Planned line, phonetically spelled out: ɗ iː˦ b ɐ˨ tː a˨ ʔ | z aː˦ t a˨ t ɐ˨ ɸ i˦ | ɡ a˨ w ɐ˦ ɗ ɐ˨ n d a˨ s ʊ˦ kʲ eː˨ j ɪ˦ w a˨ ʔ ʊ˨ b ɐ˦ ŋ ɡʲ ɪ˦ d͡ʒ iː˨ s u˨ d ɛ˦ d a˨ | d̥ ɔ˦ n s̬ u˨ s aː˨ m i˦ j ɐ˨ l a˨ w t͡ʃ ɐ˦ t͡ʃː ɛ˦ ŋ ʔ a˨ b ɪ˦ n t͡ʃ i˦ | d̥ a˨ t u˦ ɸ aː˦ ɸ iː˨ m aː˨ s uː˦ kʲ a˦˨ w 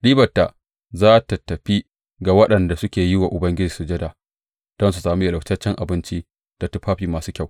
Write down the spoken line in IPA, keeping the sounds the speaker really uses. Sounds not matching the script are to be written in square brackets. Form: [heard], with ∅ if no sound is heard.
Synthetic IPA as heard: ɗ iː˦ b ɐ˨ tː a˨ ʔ | z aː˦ t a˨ t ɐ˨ ɸ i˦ | ɡ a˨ w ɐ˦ ɗ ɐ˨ n d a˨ s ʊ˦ kʲ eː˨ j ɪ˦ w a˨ ʔ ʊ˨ b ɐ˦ ŋ ɡʲ ɪ˦ d͡ʒ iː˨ s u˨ [d͡ʒ] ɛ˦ d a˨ | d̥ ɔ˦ n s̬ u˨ s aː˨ m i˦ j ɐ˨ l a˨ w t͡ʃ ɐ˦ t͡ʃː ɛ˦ ŋ ʔ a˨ b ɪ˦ n t͡ʃ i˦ | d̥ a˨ t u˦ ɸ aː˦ ɸ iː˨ m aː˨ s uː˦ kʲ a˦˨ w